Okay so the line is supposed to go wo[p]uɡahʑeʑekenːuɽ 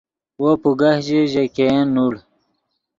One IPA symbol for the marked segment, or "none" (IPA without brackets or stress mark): p